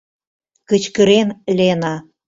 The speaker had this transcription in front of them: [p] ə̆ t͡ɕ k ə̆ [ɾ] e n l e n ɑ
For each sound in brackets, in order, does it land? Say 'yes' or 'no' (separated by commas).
no, yes